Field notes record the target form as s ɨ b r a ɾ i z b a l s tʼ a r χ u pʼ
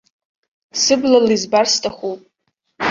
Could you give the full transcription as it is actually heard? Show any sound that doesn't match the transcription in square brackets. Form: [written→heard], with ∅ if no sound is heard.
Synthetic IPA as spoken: s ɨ b [r→l] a [ɾ→l] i z b a [l→r] s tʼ a [r→∅] χ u pʼ